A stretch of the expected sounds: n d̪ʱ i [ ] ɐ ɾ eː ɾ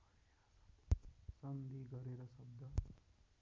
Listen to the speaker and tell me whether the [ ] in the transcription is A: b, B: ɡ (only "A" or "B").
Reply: B